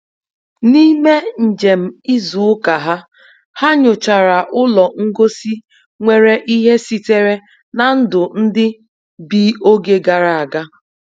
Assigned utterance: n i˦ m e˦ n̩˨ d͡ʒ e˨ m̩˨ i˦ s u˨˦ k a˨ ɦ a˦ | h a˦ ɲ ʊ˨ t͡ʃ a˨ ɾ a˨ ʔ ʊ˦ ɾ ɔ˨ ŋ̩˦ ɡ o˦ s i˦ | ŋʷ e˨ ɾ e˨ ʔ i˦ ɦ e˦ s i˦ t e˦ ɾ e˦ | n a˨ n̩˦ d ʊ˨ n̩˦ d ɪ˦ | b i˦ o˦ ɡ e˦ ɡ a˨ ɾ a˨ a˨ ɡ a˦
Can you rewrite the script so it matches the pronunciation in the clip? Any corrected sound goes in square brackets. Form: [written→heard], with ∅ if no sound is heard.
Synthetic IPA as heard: n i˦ m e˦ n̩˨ d͡ʒ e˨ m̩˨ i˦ [s→z] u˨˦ k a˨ ɦ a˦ | h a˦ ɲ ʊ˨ t͡ʃ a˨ ɾ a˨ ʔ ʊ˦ [ɾ→l] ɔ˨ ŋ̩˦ ɡ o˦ s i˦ | ŋʷ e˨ ɾ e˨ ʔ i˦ ɦ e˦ s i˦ t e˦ ɾ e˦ | n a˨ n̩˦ d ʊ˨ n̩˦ d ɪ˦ | b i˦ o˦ ɡ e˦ ɡ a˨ ɾ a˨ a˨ ɡ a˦